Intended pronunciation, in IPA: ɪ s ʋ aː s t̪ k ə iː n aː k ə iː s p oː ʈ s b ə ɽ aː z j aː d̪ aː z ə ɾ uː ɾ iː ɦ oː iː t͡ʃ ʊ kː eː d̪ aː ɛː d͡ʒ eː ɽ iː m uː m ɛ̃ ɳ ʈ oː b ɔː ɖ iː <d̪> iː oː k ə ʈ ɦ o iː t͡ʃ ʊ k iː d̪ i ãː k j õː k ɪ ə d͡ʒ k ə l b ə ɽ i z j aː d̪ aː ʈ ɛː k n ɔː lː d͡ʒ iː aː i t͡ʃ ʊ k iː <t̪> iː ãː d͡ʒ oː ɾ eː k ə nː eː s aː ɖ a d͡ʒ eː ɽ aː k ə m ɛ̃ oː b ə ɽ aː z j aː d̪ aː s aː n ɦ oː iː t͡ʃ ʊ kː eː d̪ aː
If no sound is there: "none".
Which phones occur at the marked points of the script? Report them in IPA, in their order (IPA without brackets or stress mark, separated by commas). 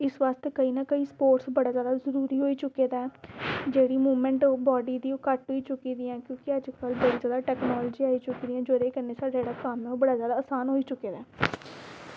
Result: d̪, d̪